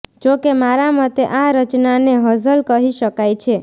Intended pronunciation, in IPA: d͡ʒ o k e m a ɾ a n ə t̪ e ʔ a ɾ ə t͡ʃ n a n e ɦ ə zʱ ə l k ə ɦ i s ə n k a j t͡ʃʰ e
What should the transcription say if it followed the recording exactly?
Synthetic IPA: d͡ʒ o k e m a ɾ a m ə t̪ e ʔ a ɾ ə t͡ʃ n a n e ɦ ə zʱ ə l k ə ɦ i ʃ ə k a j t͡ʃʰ e